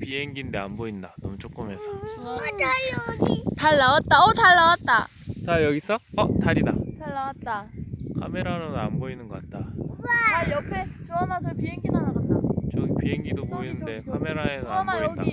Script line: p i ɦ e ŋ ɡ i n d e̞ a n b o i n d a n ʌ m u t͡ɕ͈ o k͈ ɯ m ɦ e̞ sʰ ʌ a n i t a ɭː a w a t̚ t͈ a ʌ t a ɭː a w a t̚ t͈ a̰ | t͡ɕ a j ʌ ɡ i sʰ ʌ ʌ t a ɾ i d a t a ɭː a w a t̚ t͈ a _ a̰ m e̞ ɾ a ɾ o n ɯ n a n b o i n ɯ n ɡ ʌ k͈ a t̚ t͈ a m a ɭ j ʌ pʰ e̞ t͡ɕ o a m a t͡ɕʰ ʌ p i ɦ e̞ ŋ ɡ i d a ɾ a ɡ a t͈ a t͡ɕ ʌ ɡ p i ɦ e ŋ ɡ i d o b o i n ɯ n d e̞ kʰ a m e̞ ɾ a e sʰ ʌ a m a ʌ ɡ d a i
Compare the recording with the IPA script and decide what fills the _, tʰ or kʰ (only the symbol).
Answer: kʰ